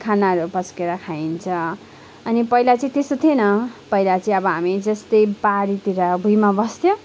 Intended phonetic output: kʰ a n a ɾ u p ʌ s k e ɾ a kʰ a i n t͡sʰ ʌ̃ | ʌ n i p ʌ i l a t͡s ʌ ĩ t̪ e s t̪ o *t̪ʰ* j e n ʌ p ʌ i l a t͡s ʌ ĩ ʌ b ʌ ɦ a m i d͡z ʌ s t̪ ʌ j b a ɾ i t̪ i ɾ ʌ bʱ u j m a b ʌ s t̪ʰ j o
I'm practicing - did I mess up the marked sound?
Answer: no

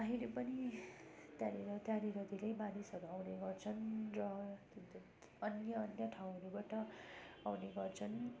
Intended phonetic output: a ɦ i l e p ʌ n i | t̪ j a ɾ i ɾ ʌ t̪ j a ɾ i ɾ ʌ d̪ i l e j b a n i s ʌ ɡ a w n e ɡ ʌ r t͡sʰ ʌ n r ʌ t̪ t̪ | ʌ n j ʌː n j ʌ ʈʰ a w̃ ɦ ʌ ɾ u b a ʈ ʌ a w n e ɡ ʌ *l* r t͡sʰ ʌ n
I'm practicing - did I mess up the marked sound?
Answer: yes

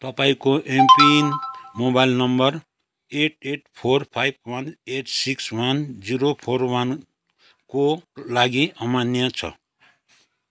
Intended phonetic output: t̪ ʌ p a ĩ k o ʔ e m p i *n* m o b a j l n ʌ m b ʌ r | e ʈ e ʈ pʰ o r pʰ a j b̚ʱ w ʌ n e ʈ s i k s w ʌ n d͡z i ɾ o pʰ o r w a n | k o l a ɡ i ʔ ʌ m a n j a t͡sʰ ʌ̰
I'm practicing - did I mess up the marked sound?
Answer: no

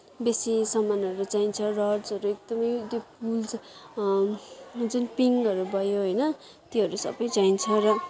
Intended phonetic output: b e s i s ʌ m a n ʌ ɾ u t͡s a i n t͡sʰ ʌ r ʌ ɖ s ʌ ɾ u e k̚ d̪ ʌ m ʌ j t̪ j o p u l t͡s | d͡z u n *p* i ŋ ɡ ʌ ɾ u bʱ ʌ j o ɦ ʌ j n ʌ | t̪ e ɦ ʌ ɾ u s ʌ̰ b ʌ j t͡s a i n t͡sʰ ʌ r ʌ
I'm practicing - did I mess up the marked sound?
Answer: no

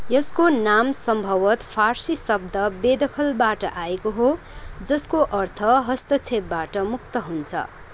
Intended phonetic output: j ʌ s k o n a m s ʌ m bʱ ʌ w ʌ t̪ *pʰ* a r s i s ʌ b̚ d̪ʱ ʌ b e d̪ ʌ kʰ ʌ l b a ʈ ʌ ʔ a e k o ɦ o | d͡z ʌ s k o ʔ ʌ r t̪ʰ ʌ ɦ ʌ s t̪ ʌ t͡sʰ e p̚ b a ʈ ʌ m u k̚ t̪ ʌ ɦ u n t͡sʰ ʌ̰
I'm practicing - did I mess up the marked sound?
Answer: no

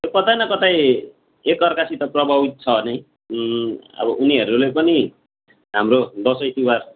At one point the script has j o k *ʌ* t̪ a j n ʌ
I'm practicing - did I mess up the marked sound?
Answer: no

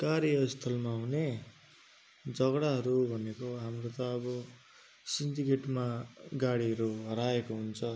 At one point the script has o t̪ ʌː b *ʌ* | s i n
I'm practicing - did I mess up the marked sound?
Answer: no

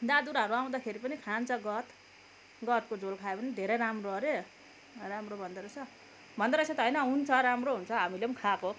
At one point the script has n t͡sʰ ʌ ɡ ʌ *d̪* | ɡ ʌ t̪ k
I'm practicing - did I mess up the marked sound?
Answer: yes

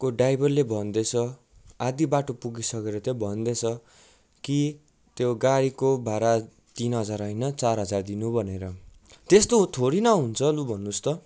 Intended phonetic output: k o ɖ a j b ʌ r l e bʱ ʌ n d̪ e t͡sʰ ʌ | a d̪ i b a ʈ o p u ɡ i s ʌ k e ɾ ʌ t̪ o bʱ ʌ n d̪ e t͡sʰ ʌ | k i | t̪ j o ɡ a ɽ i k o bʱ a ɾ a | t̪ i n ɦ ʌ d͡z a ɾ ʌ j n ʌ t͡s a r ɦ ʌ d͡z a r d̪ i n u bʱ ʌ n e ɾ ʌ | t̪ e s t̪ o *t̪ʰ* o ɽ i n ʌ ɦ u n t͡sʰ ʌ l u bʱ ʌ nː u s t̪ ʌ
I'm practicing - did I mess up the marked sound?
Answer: no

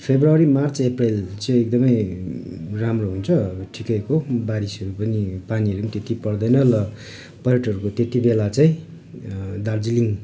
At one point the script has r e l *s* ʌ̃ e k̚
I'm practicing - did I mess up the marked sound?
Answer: yes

